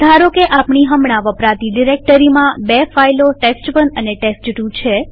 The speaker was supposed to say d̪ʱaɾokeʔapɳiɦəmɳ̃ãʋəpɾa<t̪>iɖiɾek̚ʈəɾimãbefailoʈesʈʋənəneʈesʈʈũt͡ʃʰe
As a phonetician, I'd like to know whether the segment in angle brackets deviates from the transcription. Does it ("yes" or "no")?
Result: no